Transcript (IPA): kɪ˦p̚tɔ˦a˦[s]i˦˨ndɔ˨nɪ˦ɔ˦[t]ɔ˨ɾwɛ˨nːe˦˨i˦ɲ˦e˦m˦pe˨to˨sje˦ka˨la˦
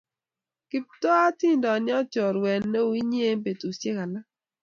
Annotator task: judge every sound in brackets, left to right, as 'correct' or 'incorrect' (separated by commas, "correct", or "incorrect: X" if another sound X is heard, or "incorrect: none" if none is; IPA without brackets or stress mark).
incorrect: t, incorrect: t͡ʃ